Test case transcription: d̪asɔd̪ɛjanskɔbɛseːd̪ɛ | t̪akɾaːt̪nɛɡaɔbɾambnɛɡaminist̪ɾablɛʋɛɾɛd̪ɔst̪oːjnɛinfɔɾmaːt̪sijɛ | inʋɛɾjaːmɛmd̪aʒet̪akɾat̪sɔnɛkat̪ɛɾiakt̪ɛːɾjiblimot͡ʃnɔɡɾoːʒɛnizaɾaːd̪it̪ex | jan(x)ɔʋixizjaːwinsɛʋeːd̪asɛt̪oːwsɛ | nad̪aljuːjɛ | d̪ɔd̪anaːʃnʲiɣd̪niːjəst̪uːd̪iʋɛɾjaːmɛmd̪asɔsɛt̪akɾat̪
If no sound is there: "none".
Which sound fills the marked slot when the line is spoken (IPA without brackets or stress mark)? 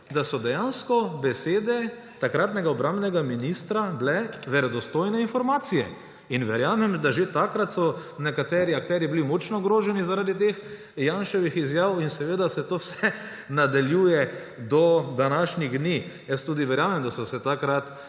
ʃ